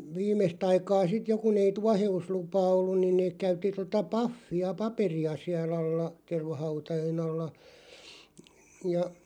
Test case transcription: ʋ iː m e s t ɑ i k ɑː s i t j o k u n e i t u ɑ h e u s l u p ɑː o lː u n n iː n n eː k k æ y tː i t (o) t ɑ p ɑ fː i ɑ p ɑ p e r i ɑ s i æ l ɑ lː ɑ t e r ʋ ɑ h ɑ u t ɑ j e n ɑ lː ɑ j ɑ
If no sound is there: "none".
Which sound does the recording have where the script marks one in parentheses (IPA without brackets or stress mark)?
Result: o